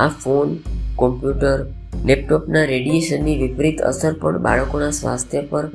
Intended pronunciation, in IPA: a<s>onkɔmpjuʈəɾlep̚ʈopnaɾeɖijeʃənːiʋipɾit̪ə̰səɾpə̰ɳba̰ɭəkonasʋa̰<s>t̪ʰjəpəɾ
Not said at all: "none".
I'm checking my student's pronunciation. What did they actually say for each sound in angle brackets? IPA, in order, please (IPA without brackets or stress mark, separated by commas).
f, s